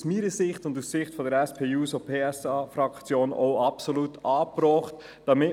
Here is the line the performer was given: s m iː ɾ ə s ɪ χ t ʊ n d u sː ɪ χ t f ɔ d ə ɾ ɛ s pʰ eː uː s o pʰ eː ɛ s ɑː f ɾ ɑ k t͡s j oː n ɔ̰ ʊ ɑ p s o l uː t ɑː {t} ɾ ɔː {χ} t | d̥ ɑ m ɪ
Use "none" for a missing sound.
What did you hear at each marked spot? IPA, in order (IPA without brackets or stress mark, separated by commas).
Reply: p, χ